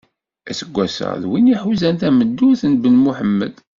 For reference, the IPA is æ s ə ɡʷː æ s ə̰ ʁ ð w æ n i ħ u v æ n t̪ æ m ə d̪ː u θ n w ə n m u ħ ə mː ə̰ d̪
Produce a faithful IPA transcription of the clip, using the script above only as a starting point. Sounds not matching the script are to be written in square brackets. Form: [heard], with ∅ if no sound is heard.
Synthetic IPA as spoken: æ s ə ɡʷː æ s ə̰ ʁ ð w [i] n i ħ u [z] æ n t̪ æ m ə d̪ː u θ n [b] ə n m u ħ ə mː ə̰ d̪